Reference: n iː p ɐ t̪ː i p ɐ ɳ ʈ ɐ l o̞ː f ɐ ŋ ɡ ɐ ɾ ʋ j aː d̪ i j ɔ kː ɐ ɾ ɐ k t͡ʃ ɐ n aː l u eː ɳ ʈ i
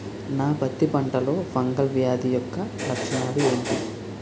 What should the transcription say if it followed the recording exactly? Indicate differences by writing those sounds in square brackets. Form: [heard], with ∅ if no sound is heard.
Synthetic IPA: n [aː] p ɐ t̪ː i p ɐ ɳ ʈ ɐ l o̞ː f ɐ ŋ ɡ ɐ [l] ʋ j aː d̪ i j ɔ kː ɐ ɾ ɐ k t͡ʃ ɐ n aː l u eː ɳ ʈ i